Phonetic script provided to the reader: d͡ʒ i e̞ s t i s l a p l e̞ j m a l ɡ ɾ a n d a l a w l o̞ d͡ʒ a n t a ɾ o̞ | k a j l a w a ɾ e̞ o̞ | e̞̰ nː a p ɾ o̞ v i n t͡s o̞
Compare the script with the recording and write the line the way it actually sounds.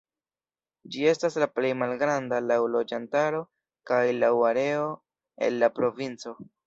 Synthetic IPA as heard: d͡ʒ i e̞ s t a s l a p l e̞ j m a l ɡ ɾ a n d a l a w l o̞ d͡ʒ a n t a ɾ o̞ | k a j l a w a ɾ e̞ o̞ | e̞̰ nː a p ɾ o̞ v i n t͡s o̞